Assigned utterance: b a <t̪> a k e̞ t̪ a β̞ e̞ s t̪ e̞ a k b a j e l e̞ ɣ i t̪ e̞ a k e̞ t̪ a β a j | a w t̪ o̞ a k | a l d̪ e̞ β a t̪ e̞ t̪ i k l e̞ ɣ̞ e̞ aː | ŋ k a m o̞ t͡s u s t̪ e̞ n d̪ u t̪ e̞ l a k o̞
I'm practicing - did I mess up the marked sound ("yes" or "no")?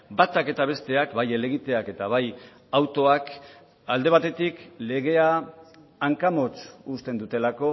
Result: no